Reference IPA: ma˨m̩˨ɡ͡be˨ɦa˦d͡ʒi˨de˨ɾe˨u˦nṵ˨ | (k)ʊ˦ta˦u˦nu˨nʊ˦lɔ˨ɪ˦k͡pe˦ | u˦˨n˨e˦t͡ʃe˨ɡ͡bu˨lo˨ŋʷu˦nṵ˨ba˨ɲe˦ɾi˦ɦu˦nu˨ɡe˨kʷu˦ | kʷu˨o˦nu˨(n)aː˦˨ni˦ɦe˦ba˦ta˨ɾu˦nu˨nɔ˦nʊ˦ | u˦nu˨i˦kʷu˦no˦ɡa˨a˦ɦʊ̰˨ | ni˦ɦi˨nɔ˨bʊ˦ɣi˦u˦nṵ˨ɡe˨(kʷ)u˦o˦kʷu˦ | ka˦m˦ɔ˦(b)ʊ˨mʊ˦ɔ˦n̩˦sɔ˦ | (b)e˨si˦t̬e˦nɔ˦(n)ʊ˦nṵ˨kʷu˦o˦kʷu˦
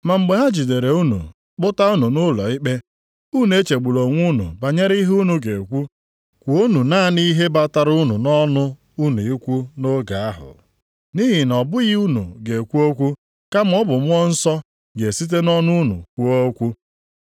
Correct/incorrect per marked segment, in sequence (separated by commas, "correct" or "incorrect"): incorrect, correct, correct, correct, incorrect, correct